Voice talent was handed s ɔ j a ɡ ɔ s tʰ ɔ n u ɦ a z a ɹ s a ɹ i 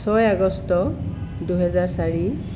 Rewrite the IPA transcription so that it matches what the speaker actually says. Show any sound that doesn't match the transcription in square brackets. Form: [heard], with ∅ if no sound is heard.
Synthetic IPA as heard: s ɔ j a ɡ ɔ s [t] ɔ [d] u ɦ [ɛ] z a ɹ s a ɹ i